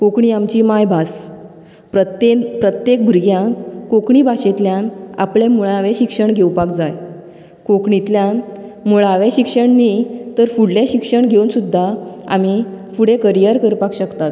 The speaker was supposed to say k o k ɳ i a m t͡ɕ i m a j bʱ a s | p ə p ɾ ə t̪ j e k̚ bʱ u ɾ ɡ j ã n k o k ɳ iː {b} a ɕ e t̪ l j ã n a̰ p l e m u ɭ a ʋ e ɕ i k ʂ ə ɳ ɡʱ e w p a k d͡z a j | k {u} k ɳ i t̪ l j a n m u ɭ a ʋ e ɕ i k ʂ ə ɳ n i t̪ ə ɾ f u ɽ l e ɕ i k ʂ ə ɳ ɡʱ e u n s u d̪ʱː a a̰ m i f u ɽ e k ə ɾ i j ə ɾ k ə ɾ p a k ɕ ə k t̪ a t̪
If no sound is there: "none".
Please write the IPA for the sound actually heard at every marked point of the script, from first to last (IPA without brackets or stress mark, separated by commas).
b, o